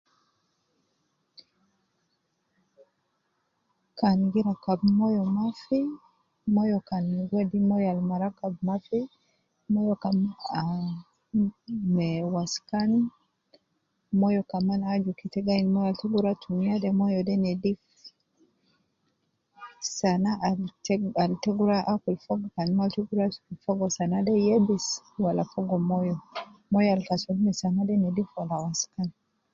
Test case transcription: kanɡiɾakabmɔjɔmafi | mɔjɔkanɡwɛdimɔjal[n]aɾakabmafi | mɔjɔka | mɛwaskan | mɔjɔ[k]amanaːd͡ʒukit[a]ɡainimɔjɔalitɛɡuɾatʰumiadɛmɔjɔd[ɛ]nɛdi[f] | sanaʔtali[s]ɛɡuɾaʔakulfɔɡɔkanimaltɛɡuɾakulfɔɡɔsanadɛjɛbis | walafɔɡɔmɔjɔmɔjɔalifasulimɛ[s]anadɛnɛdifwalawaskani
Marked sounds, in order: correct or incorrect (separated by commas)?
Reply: incorrect, correct, incorrect, correct, correct, incorrect, correct